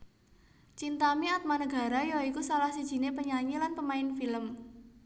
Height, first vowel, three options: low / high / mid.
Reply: high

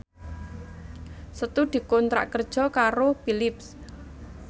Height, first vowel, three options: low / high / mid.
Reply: mid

